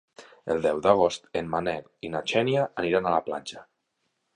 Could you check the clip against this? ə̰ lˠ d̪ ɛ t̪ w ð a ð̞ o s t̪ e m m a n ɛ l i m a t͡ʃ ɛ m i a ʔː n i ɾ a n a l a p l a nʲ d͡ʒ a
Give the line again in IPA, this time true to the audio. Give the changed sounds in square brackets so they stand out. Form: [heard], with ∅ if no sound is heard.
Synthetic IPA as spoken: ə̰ lˠ d̪ ɛ [∅] w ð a [ɣ̞] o s t̪ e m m a n ɛ l i [n] a t͡ʃ ɛ [n] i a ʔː n i ɾ a n a l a p l a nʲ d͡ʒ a